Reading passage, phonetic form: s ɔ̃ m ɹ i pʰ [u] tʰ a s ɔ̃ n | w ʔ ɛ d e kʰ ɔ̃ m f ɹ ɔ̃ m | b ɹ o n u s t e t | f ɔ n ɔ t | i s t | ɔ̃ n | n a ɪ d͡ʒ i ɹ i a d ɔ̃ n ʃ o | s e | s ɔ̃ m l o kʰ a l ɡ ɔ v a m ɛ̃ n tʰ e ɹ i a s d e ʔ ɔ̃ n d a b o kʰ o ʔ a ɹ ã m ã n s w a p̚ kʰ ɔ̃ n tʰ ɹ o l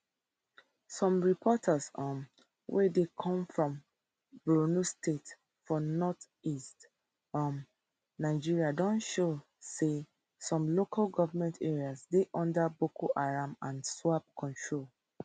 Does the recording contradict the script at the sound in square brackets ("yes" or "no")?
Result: yes